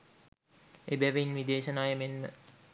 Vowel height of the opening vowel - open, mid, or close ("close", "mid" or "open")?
mid